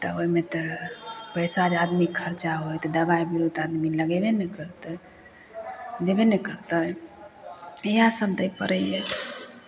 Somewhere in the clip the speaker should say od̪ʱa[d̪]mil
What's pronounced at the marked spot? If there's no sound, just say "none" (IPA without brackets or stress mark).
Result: d̪